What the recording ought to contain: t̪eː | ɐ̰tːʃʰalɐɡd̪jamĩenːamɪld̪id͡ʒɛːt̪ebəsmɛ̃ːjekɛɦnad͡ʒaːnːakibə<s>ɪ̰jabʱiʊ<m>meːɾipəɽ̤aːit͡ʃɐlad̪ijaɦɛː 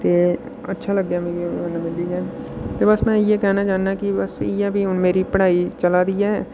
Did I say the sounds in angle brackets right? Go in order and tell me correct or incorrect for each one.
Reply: correct, incorrect: n

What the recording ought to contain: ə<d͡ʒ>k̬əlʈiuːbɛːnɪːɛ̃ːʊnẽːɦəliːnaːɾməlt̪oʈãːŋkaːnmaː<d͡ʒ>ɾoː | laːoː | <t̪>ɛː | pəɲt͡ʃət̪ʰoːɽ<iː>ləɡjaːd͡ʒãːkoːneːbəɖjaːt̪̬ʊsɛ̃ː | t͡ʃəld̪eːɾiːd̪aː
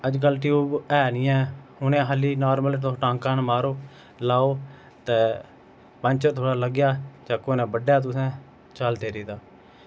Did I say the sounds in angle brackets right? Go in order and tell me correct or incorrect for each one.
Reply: correct, incorrect: none, correct, incorrect: aː

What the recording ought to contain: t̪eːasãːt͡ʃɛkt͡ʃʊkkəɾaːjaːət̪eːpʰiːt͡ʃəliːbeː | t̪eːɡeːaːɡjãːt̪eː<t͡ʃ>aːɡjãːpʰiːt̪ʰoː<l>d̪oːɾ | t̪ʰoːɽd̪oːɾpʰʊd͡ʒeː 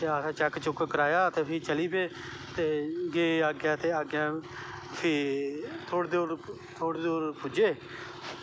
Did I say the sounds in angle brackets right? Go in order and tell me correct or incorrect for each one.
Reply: incorrect: none, incorrect: ɽ

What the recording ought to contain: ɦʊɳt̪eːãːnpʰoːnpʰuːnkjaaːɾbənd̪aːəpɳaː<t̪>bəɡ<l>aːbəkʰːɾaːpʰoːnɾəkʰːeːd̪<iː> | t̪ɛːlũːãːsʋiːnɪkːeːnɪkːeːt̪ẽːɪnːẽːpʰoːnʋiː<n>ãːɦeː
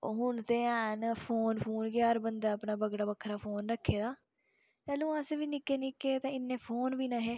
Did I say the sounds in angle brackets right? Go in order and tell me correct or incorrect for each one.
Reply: incorrect: none, incorrect: ɽ, incorrect: aː, correct

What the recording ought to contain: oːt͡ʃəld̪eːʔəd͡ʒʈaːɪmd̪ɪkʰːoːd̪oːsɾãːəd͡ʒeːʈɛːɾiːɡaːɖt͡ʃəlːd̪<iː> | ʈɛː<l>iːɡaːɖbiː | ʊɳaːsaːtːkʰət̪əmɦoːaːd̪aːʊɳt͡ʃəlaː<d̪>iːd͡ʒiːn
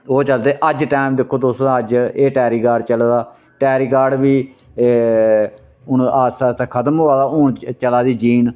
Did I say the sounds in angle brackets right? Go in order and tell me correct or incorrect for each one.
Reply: incorrect: aː, incorrect: ɾ, correct

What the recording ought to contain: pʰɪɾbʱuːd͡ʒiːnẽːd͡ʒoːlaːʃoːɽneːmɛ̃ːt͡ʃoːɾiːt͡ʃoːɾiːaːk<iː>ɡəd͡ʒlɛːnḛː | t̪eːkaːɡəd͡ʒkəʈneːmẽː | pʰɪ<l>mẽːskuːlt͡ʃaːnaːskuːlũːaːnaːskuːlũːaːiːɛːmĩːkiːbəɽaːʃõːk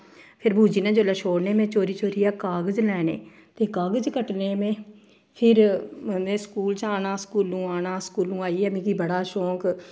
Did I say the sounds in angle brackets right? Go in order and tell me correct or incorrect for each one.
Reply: incorrect: aː, incorrect: ɾ

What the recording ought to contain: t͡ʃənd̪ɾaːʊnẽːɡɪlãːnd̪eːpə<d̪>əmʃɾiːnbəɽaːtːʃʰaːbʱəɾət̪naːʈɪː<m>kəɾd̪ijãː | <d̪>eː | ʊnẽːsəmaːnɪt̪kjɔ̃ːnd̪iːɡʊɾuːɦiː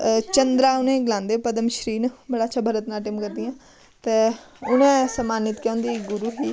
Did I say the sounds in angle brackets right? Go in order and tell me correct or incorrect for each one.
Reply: correct, correct, incorrect: t̪

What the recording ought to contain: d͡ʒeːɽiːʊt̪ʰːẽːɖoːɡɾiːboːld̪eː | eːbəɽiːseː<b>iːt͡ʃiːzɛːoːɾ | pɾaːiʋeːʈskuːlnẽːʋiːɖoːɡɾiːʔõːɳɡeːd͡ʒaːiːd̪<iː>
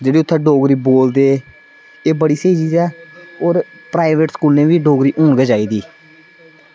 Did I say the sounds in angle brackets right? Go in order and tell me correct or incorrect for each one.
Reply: incorrect: none, correct

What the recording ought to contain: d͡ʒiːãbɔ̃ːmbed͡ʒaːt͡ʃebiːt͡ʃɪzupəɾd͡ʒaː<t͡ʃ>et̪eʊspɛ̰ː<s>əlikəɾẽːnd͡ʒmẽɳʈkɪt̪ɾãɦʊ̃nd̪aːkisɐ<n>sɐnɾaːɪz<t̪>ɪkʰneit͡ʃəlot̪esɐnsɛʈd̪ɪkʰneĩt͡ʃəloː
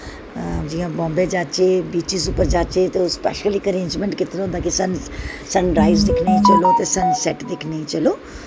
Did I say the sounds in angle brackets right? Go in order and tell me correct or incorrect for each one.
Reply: correct, incorrect: ʃ, correct, incorrect: d̪

